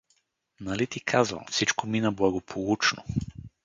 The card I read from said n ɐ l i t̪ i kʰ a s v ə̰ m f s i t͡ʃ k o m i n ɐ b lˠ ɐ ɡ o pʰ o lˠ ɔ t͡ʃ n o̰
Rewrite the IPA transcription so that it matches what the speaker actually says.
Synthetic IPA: n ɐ l i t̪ i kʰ a z v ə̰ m f s i t͡ʃ k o m i n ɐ b lˠ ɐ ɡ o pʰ o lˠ u t͡ʃ n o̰